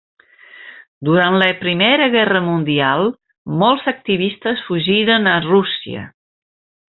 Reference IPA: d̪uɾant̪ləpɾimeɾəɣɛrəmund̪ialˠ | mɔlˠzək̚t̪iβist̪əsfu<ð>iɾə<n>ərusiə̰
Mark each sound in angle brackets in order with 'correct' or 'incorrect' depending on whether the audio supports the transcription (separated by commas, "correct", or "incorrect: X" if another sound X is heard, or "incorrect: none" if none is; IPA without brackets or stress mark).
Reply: incorrect: ʒ, correct